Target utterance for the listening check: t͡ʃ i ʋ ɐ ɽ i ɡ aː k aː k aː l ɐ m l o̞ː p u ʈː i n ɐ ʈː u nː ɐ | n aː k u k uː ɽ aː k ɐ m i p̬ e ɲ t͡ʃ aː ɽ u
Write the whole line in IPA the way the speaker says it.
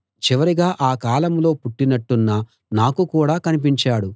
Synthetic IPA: t͡ʃ i ʋ ɐ ɾ i ɡ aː ʔ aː k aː l ɐ m l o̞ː p u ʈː i n ɐ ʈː u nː ɐ | n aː k u k uː ɽ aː k ɐ n i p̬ i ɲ t͡ʃ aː ɽ u